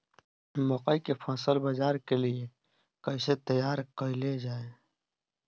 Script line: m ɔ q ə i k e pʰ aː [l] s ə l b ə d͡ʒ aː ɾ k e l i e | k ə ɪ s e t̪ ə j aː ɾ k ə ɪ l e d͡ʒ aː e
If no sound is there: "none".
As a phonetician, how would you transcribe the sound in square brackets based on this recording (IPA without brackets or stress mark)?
none